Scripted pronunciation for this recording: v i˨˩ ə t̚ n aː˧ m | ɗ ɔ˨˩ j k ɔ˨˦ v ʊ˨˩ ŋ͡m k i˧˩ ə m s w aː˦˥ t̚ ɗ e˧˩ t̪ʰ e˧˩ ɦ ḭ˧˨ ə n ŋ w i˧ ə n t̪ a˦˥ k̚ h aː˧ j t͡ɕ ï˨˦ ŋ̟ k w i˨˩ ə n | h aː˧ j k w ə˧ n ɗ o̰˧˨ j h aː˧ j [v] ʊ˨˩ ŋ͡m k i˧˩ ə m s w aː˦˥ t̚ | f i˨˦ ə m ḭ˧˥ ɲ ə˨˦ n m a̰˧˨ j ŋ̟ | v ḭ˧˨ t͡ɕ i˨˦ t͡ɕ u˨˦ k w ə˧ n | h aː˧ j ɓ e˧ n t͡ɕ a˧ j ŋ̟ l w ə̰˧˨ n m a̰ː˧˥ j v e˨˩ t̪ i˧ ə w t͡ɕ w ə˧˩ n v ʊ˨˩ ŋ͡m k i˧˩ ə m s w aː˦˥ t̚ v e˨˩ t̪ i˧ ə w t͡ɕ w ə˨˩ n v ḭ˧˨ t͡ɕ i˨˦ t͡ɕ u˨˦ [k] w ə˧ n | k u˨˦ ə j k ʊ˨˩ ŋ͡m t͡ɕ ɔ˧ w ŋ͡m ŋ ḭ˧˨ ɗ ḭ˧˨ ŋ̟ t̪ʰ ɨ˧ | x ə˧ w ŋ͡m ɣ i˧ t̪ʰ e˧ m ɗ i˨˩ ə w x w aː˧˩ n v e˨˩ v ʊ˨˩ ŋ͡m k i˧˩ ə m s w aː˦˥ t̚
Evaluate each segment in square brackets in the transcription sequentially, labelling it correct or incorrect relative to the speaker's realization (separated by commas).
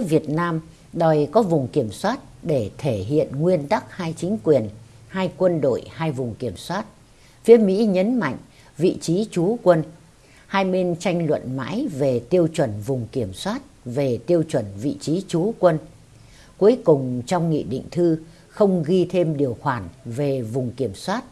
correct, correct